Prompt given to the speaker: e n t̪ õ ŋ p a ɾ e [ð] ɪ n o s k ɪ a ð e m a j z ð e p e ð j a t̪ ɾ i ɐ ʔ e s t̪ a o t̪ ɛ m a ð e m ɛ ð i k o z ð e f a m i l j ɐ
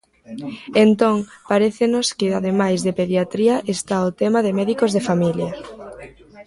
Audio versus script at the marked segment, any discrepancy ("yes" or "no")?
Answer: yes